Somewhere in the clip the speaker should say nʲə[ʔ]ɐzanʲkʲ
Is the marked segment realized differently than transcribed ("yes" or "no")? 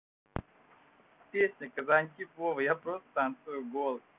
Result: yes